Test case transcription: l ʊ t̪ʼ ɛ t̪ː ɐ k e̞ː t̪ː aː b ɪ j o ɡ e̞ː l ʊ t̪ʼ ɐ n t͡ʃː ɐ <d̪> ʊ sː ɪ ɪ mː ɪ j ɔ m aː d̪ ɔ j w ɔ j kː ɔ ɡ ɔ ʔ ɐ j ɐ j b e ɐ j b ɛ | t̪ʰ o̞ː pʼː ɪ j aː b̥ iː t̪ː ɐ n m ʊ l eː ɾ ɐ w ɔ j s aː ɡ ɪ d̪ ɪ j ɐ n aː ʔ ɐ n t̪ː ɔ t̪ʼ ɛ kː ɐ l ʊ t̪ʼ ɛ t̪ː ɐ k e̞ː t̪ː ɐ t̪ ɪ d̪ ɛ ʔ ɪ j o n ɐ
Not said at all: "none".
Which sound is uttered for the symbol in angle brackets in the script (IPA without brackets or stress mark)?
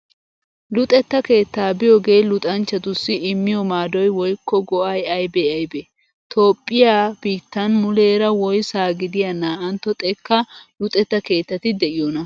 t̪